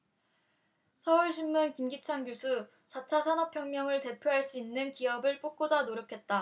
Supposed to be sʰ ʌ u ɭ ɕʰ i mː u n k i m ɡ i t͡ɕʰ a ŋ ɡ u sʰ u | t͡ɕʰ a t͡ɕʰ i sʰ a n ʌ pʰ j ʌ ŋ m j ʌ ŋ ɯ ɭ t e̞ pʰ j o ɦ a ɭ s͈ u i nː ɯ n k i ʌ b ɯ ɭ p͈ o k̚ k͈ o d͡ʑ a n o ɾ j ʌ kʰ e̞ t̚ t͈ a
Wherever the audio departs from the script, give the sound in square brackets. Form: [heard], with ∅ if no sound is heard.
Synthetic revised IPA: sʰ ʌ u ɭ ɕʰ i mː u n k i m ɡ i t͡ɕʰ a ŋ ɡ u sʰ u | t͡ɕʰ a t͡ɕʰ [a] sʰ a n ʌ pʰ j ʌ ŋ m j ʌ ŋ ɯ ɭ t e̞ pʰ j o ɦ a ɭ s͈ u i nː ɯ n k i ʌ b ɯ ɭ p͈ o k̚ k͈ o d͡ʑ a n o ɾ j ʌ kʰ e̞ t̚ t͈ a